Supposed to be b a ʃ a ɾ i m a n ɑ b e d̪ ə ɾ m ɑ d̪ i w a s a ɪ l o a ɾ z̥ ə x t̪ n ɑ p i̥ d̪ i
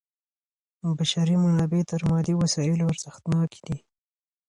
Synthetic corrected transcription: b a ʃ a ɾ i m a n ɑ b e t̪ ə ɾ m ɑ d̪ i w a s ɑ ɪ l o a ɾ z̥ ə x t̪ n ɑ k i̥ d̪ i

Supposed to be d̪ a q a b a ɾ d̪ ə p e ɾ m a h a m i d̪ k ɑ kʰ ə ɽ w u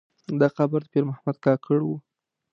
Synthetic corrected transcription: d̪ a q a b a ɾ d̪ ə p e ɾ m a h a m a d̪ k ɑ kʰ ə ɽ w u

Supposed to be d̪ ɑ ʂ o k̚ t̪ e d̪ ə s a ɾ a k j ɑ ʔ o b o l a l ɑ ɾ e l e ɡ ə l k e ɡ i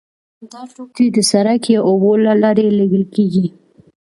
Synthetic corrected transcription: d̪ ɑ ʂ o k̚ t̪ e d̪ ə s a ɾ a k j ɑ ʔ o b o l a l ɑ ɾ e l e ɡ ə l k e ɡ i

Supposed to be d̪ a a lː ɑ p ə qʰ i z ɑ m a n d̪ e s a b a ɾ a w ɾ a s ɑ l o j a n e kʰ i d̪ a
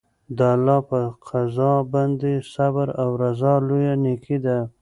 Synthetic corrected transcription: d̪ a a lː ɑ p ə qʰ a z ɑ b a n d̪ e s a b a ɾ a w ɾ a z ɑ l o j a n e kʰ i d̪ a

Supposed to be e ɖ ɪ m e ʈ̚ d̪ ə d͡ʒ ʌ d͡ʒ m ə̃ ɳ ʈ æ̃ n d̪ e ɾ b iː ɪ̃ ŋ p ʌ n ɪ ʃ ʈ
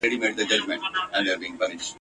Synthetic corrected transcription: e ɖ i m e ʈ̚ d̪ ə d͡ʒ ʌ d͡ʒ m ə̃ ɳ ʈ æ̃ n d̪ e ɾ b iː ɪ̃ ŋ p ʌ n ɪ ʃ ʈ

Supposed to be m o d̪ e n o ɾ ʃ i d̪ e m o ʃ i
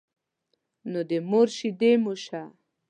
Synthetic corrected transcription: n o d̪ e m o ɾ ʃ i d̪ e m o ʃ a

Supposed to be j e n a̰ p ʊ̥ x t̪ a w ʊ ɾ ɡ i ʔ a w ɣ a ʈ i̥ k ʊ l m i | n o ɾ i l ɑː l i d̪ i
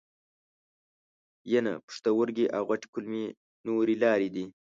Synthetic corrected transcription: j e n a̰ p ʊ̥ ʂ t̪ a w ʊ ɾ ɡ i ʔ a w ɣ a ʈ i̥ k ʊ l m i | n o ɾ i l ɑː ɾ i d̪ i

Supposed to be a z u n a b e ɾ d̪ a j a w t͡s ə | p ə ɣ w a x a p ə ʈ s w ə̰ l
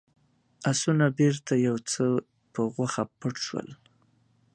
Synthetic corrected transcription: a s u n a b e ɾ t̪ a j a w t͡s ə | p ə ɣ w a x a p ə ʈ ʃ w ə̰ l

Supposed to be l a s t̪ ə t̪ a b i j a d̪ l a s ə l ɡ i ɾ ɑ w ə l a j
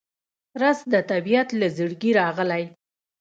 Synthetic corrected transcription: ɾ a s d̪ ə t̪ a b i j a t̪ l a z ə ɽ ɡ i ɾ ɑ ɣ ə l a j

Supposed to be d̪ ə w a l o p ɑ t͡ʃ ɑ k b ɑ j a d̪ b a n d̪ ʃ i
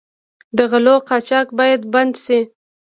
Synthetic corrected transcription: d̪ ə ɣ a l o q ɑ t͡ʃ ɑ k b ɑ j a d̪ b a n d̪ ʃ i

